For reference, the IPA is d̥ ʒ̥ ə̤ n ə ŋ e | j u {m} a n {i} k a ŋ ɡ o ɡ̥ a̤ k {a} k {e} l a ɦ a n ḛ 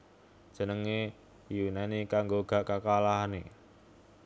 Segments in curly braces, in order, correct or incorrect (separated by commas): incorrect, correct, correct, incorrect